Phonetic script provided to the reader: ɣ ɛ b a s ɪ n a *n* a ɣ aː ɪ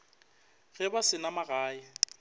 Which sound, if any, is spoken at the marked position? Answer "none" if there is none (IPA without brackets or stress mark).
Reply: m